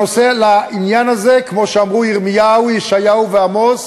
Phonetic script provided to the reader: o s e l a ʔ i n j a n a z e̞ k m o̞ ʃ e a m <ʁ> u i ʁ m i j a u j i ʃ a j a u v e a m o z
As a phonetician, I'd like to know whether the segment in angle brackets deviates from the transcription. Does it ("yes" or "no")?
no